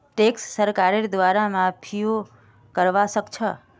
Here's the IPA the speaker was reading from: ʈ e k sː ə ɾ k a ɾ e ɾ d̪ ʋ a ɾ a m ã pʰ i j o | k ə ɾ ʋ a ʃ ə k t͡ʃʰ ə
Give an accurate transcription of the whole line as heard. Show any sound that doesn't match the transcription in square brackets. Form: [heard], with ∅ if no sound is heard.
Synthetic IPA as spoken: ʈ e k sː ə ɾ k a ɾ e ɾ d̪ ʋ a ɾ a m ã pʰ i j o | k ə ɾ ʋ a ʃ ə k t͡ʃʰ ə